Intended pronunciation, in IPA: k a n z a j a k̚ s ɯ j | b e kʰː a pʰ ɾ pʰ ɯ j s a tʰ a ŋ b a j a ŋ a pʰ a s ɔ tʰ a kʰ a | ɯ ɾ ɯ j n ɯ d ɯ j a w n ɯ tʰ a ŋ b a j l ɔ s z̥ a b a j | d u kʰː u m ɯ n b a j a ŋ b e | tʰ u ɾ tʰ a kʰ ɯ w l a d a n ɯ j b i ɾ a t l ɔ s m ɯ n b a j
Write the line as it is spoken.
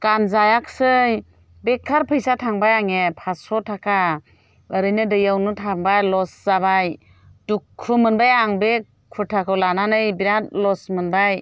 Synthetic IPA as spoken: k a n z a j a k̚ s ɯ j | b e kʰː a ɾ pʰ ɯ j s a tʰ a ŋ b a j a ŋ e pʰ a s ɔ tʰ a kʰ a | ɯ ɾ ɯ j n ɯ d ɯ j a w n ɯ tʰ a ŋ b a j l ɔ s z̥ a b a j | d u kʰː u m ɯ n b a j a ŋ b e | kʰ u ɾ tʰ a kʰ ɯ w l a n a n ɯ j b i ɾ a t l ɔ s m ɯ n b a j